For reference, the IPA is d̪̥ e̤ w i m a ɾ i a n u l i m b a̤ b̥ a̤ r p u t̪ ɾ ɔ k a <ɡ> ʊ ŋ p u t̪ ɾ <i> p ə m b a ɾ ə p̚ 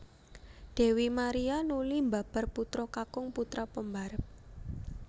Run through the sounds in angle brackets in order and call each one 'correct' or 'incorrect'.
incorrect, incorrect

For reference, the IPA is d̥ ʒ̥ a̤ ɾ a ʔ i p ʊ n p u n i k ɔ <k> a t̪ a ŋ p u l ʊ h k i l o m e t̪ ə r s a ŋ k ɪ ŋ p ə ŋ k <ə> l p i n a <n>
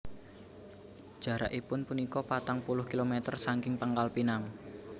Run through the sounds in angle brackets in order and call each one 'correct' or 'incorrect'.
incorrect, incorrect, incorrect

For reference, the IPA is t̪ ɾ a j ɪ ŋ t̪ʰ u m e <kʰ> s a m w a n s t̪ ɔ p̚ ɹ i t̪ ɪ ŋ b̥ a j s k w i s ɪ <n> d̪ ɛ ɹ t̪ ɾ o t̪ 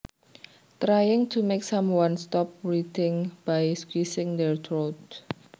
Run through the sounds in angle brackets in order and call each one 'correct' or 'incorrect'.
incorrect, incorrect

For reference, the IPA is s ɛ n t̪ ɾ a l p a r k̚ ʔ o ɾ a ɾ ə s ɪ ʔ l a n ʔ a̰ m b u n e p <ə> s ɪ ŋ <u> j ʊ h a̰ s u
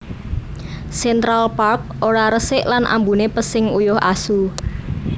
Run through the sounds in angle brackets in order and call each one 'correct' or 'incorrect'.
correct, correct

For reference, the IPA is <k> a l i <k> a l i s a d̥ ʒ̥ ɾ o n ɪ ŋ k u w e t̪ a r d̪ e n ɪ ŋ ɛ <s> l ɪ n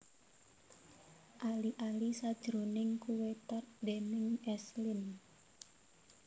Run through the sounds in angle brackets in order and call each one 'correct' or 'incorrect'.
incorrect, incorrect, correct

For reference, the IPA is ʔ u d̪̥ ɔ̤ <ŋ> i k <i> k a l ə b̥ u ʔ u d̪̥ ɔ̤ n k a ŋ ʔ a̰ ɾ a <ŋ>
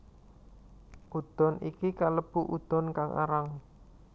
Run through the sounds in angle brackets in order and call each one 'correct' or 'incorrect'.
incorrect, correct, correct

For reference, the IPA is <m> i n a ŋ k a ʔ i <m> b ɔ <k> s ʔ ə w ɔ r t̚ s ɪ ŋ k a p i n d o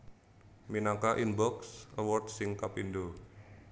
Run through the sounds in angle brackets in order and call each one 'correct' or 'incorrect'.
correct, incorrect, correct

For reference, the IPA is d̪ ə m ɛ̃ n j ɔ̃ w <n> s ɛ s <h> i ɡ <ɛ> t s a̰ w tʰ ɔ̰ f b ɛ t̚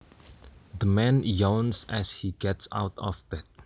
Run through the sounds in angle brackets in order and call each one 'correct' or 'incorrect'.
correct, correct, correct

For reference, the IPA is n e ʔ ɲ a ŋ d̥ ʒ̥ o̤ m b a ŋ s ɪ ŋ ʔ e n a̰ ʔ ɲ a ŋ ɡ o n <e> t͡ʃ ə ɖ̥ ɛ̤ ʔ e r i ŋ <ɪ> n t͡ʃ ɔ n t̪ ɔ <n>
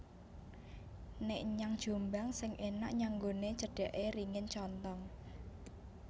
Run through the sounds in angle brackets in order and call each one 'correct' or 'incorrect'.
correct, correct, incorrect

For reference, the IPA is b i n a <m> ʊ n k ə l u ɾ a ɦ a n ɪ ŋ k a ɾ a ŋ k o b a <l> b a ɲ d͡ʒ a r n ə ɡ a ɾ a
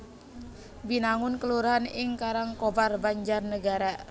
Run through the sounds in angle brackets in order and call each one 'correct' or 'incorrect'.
incorrect, incorrect

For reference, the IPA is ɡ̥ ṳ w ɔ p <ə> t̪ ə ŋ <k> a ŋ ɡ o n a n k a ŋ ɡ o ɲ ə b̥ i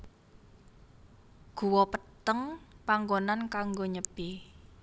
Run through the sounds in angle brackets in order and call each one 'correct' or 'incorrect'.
correct, incorrect

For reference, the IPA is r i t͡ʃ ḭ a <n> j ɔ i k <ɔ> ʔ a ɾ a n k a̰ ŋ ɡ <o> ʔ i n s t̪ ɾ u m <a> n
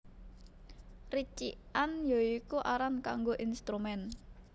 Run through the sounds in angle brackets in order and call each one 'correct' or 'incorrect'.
correct, incorrect, correct, incorrect

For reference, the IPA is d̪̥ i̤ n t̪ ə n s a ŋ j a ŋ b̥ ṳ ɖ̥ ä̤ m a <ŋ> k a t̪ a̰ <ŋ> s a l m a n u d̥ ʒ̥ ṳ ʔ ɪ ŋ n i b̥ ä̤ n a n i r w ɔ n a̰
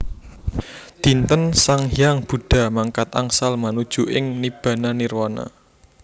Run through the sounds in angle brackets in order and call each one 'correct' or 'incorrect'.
correct, correct

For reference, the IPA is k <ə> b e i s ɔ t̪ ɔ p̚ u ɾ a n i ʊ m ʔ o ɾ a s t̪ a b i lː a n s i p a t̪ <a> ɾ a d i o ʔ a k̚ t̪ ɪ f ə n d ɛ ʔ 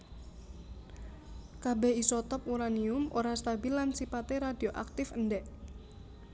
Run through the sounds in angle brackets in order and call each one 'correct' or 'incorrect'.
incorrect, incorrect

